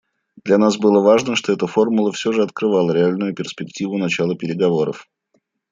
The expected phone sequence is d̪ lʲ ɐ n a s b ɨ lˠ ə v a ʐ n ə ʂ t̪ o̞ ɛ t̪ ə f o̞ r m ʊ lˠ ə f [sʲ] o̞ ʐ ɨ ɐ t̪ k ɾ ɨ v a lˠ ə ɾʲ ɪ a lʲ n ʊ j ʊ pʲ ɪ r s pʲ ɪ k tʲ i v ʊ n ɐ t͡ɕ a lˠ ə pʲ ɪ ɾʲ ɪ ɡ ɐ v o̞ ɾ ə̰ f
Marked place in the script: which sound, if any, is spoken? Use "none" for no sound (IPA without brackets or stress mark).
sʲ